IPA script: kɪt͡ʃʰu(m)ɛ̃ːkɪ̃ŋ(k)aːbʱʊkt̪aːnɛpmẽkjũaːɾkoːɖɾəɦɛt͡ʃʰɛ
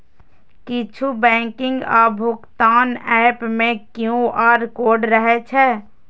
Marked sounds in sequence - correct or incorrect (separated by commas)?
incorrect, incorrect